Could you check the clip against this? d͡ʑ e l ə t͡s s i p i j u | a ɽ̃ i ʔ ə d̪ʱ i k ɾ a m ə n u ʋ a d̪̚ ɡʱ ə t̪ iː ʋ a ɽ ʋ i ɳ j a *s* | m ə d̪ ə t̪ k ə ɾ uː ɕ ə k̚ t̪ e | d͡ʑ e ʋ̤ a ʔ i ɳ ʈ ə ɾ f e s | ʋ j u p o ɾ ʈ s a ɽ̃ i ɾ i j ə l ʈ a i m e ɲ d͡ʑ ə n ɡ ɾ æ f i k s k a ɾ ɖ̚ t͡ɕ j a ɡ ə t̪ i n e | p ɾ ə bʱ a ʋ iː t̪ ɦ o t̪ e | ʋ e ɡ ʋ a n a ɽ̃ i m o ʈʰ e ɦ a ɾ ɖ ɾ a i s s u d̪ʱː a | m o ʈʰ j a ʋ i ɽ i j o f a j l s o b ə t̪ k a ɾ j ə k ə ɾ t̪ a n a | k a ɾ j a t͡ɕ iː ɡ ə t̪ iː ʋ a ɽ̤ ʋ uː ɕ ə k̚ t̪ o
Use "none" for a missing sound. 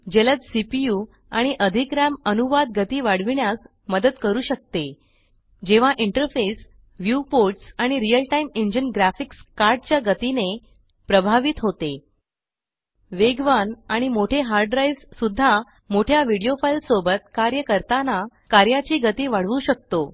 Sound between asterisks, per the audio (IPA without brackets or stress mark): s